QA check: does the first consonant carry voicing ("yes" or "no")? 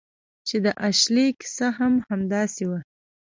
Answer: no